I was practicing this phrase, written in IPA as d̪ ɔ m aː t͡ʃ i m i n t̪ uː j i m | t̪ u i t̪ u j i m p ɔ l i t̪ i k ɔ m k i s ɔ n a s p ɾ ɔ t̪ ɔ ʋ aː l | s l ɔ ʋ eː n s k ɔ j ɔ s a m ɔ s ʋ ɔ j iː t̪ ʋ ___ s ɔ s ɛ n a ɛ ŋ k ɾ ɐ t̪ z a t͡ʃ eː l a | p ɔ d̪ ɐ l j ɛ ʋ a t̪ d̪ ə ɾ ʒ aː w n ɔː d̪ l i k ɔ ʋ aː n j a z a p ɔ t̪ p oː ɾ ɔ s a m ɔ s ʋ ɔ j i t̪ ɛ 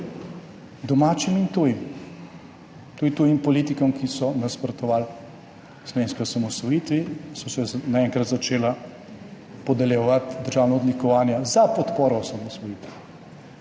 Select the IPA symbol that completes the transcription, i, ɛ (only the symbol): i